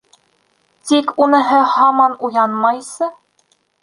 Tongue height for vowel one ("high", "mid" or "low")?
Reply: high